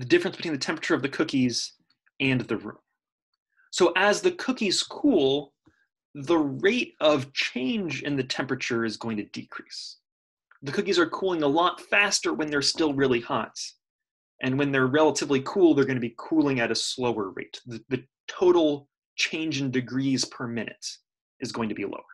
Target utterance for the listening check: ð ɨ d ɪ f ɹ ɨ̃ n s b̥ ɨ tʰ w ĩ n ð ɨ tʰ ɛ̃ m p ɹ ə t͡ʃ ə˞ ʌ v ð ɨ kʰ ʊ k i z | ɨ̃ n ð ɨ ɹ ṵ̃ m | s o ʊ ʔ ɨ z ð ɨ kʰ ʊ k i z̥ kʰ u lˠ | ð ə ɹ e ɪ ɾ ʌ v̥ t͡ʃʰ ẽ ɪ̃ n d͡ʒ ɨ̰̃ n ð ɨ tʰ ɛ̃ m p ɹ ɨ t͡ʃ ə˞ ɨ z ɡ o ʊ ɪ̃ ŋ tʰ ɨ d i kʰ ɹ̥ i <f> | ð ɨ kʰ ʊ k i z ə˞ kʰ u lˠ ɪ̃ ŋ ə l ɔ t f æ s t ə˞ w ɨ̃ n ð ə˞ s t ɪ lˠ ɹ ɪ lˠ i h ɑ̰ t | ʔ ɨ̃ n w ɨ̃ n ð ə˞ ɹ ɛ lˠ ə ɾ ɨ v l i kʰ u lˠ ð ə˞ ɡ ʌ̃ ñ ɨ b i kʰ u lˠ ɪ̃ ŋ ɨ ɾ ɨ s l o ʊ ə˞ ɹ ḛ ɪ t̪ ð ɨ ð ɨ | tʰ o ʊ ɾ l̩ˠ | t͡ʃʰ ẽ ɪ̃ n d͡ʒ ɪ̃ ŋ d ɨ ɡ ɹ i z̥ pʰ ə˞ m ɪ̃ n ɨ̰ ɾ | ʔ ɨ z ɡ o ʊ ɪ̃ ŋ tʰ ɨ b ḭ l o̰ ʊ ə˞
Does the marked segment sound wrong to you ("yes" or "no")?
yes